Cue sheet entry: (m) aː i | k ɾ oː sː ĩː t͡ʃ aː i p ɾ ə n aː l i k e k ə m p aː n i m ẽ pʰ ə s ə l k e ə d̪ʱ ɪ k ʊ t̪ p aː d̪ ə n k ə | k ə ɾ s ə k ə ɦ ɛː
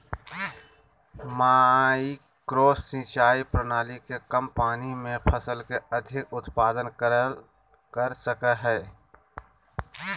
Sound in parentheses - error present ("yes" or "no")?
no